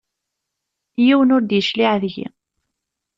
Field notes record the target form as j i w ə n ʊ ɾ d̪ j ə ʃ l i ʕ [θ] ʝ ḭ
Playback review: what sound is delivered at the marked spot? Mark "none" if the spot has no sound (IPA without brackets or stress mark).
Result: ð